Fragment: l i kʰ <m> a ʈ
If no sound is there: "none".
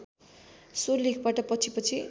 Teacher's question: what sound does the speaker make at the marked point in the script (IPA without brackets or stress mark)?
b